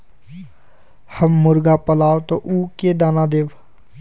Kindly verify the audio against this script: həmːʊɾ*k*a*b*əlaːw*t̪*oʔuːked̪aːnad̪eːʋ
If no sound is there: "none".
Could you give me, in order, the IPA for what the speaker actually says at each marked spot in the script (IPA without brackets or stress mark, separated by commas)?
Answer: ɡ, p, t̪